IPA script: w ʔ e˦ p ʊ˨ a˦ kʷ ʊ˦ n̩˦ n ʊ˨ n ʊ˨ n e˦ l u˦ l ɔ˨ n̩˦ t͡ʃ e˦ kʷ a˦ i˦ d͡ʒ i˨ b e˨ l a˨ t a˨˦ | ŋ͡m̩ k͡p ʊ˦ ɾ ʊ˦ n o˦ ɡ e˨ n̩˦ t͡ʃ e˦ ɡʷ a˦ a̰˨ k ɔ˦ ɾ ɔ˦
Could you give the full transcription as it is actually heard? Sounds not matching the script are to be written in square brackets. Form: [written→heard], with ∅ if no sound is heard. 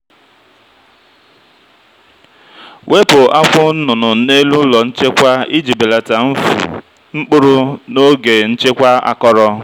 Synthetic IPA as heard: w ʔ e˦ p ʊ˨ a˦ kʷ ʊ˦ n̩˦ n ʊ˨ n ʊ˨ n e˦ l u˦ l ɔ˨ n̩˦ t͡ʃ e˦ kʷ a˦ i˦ d͡ʒ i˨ b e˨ l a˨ t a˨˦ | ŋ͡m̩ k͡p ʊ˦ ɾ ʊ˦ n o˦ ɡ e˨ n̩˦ t͡ʃ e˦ [ɡʷ→kʷ] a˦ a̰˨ k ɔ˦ ɾ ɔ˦

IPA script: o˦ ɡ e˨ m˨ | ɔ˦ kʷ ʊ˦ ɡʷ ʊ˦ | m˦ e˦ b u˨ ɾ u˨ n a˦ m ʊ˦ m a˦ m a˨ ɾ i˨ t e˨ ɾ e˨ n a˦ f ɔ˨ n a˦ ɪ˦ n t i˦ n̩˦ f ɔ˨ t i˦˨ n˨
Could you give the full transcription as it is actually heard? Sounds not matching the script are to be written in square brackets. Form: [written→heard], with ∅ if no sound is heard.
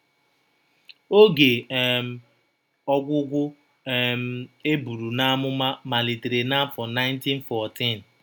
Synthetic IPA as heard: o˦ ɡ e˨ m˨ | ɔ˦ [kʷ→ɡʷ] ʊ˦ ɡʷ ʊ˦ | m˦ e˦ b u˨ ɾ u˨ n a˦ m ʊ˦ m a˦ m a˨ [ɾ→l] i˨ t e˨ ɾ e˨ n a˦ f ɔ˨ n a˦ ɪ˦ n t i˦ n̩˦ f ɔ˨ t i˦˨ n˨

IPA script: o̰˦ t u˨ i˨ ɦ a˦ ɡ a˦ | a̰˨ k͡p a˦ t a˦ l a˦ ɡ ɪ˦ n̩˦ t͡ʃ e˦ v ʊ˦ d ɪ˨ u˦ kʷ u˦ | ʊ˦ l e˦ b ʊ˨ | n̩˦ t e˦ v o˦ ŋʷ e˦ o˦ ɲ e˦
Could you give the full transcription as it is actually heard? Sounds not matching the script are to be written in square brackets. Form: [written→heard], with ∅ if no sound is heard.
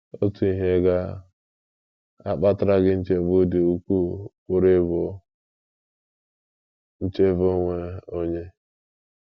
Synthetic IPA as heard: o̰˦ t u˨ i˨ ɦ [a˦→e˦] ɡ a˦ | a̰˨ k͡p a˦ t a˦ [l→ɾ] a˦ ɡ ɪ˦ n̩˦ t͡ʃ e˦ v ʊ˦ d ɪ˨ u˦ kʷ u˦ | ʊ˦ [l→ɾ] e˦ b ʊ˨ | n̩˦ [t→t͡ʃ] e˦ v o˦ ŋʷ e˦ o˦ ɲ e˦

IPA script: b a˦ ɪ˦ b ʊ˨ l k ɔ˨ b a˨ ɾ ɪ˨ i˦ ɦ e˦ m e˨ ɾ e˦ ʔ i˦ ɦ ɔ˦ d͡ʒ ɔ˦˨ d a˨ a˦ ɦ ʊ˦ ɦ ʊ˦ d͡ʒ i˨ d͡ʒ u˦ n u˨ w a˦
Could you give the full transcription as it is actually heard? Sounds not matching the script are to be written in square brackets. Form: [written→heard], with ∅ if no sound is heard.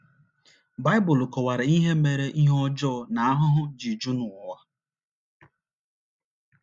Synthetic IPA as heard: b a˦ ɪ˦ b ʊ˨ l k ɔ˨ [b→w] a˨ ɾ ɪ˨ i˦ ɦ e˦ m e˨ ɾ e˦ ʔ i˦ ɦ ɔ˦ d͡ʒ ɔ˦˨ [d→n] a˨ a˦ ɦ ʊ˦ ɦ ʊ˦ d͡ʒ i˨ d͡ʒ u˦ n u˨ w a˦

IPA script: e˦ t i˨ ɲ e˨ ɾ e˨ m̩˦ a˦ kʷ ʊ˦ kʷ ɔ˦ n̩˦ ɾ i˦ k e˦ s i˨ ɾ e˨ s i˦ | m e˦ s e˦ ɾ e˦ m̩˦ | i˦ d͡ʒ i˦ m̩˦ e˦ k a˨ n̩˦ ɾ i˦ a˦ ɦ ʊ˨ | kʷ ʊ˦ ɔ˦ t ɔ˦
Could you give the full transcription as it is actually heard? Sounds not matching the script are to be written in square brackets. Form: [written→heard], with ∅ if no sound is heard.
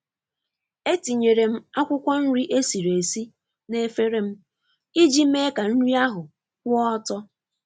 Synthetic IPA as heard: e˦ t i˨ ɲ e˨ ɾ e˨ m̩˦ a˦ kʷ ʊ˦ kʷ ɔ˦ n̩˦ ɾ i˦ [k→ʔ] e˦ s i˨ ɾ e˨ s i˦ | [m→n] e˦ [s→f] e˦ ɾ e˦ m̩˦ | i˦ d͡ʒ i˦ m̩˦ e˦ k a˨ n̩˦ ɾ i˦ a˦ ɦ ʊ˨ | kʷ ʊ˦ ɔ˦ t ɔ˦

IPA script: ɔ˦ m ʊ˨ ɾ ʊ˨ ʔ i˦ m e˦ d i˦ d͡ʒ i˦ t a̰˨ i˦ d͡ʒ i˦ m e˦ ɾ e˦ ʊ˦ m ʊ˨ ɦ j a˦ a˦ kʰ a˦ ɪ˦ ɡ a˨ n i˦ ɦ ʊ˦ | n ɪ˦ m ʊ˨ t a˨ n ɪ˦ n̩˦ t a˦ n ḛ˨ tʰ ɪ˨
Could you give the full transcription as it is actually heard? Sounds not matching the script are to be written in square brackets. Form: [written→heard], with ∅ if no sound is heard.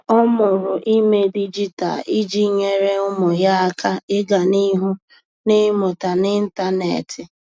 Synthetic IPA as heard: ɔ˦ m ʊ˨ ɾ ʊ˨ ʔ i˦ m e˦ d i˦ d͡ʒ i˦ t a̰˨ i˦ d͡ʒ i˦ [m→ɲ] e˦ ɾ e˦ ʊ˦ m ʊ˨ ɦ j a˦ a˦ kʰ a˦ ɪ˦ ɡ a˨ n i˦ ɦ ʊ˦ | n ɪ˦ m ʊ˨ t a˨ n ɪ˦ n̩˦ t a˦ n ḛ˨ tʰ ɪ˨

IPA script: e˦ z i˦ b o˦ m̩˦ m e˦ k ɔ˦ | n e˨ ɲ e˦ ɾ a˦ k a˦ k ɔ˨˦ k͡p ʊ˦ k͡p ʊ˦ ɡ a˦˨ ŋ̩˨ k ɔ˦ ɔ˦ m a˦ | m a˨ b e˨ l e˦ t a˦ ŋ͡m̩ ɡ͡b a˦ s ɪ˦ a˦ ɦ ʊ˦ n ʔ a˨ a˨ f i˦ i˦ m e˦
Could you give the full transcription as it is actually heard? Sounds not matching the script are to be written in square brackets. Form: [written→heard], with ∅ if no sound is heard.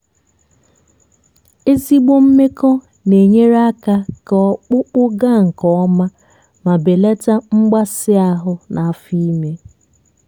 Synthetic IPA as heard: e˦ z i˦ [b→ɡ͡b] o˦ m̩˦ m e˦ k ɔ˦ | n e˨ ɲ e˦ ɾ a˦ k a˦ k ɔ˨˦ k͡p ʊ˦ k͡p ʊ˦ ɡ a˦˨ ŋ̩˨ k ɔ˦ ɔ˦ m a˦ | m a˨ b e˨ l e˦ t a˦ ŋ͡m̩ ɡ͡b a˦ s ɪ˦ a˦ ɦ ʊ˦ n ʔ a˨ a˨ f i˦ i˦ m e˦

